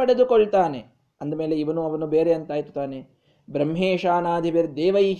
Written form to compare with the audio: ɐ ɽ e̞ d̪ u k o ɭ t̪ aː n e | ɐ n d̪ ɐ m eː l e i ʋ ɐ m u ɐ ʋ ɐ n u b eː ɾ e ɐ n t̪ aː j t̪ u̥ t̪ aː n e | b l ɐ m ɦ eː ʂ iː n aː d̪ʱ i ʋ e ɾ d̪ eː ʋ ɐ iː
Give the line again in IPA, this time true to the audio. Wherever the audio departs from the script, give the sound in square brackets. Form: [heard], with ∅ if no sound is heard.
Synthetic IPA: ɐ ɽ e̞ d̪ u k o ɭ t̪ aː n e | ɐ n d̪ ɐ m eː l e i ʋ ɐ [n] u ɐ ʋ ɐ n u b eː ɾ e ɐ n t̪ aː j t̪ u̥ t̪ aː n e | b [ɾ] ɐ m ɦ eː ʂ [aː] n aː d̪ʱ i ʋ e ɾ d̪ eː ʋ ɐ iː